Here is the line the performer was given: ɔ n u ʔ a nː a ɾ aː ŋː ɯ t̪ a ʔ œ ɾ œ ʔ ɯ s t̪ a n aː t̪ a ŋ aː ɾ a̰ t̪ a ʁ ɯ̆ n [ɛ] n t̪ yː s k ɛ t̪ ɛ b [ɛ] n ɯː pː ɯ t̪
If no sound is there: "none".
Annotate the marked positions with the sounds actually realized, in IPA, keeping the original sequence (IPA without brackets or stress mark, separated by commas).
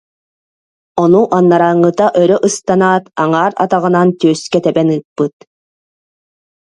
a, ɛ